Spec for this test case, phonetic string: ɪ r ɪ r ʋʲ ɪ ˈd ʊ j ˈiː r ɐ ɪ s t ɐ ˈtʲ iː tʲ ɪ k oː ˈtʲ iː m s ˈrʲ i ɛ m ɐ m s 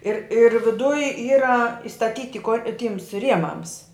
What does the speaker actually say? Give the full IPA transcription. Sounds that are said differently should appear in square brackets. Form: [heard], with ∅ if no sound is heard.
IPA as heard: ɪ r ɪ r ʋʲ ɪ ˈd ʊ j ˈiː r ɐ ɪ s t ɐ ˈtʲ iː tʲ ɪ k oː ˈtʲ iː m s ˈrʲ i ɛ m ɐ m s